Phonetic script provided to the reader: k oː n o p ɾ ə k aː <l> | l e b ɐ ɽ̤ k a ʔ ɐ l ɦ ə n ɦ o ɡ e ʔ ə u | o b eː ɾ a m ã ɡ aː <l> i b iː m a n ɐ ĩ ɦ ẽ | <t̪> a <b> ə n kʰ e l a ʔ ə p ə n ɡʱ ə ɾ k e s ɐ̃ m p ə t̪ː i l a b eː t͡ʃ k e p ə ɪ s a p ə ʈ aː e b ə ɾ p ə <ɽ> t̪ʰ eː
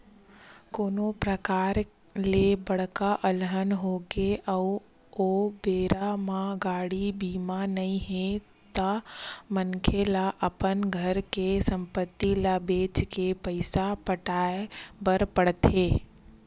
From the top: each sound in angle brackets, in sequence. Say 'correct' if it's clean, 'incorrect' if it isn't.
incorrect: ɾ, incorrect: ɽ, correct, incorrect: m, correct

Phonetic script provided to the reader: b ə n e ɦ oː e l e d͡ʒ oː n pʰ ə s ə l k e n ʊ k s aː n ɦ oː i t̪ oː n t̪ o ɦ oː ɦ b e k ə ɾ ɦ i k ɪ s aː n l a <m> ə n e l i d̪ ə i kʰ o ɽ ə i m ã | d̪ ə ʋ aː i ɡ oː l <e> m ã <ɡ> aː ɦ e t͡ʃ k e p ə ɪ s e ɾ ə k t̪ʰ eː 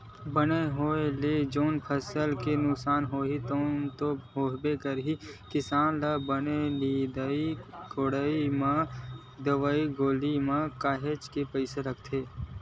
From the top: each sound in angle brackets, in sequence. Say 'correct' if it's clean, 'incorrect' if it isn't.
incorrect: b, incorrect: i, incorrect: k

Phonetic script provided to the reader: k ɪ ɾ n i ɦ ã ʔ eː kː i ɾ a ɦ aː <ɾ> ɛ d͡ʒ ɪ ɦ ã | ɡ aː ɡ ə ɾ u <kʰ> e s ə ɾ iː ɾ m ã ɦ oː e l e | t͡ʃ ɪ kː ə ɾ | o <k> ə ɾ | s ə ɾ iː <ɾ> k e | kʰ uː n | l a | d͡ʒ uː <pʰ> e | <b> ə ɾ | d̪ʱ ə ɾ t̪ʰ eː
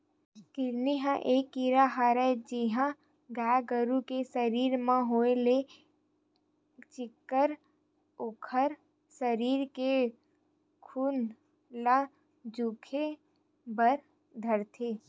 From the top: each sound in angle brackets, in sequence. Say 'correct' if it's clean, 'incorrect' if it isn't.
correct, incorrect: k, incorrect: kʰ, correct, incorrect: kʰ, correct

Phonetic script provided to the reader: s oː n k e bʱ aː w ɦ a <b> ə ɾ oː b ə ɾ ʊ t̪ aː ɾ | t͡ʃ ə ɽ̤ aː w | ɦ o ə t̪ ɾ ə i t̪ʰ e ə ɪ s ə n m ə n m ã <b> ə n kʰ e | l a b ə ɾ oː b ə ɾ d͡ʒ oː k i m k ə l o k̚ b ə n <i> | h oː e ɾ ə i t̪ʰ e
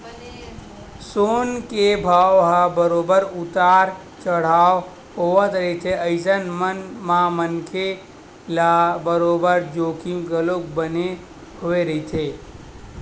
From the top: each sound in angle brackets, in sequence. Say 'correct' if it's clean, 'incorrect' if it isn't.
correct, incorrect: m, incorrect: e

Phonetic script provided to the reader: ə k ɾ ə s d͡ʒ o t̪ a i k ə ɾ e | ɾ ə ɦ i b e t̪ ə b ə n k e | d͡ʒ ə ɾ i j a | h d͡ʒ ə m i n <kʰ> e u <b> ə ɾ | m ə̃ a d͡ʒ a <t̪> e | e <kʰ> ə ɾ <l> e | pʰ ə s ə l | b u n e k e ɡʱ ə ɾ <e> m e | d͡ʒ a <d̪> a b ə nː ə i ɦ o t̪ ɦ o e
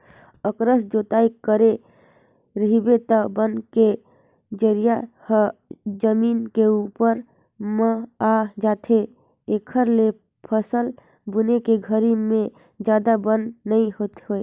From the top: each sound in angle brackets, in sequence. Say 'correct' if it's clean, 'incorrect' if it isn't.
incorrect: k, incorrect: p, incorrect: t̪ʰ, correct, correct, incorrect: i, correct

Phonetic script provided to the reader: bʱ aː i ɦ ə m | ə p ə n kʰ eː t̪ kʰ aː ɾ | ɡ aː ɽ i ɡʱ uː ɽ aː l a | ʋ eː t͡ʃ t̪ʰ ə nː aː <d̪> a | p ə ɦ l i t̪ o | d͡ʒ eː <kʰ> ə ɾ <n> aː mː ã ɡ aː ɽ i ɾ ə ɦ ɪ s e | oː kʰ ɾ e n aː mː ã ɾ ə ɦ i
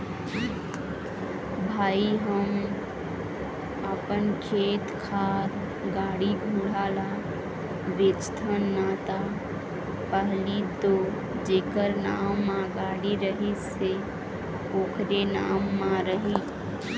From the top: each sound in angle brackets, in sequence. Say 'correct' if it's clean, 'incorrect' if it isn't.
incorrect: t̪, incorrect: k, correct

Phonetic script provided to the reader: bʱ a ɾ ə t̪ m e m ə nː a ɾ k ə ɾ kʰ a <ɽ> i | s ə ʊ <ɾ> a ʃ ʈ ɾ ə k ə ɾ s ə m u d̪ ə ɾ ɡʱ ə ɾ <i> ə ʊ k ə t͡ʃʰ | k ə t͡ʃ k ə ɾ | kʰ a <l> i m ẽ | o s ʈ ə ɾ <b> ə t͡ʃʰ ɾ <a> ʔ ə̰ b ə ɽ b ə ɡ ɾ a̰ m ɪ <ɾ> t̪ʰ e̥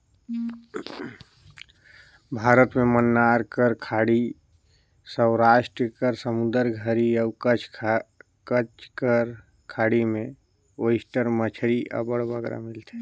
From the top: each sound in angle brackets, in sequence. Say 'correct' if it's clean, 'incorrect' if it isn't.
correct, correct, correct, incorrect: ɽ, incorrect: m, incorrect: i, incorrect: l

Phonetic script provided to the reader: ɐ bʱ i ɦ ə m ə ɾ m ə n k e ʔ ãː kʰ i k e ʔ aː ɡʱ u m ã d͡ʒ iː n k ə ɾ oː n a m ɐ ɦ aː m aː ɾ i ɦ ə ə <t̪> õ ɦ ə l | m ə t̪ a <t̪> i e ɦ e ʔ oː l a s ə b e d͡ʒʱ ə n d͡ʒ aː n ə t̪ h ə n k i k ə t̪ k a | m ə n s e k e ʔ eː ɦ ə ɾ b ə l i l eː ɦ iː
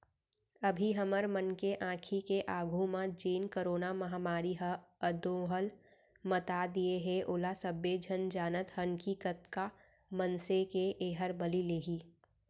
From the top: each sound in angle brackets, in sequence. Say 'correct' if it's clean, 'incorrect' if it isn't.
incorrect: d̪, incorrect: d̪

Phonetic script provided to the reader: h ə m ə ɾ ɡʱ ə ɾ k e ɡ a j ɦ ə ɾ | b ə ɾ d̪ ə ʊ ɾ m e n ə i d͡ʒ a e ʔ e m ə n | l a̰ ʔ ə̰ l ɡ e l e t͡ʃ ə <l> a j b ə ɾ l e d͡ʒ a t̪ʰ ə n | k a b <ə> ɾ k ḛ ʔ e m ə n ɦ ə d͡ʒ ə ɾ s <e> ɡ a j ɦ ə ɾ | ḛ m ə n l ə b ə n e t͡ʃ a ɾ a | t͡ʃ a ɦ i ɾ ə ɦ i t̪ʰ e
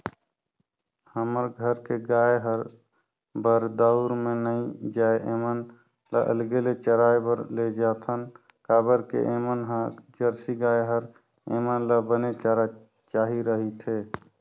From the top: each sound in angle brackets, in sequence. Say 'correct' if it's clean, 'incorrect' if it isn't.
incorrect: ɾ, correct, incorrect: i

